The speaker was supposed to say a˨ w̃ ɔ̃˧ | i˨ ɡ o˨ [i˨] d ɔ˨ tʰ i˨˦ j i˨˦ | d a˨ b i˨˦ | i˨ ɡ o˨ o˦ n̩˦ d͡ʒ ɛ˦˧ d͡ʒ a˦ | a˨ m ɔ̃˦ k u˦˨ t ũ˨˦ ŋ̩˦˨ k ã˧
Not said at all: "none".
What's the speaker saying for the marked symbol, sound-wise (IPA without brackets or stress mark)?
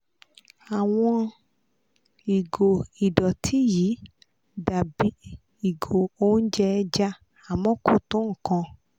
i˨